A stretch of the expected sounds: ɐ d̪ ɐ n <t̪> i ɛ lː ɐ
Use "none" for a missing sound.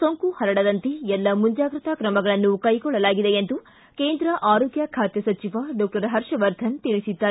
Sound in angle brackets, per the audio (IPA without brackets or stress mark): t̪